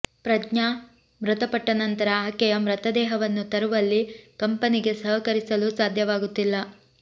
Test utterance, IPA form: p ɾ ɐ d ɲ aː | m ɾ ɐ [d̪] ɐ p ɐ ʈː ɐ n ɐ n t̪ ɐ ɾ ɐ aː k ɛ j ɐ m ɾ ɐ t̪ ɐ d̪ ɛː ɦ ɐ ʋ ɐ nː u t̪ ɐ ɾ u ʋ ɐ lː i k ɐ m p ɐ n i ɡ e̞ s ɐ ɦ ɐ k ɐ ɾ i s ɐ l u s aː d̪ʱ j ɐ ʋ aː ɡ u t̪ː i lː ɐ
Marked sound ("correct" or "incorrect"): incorrect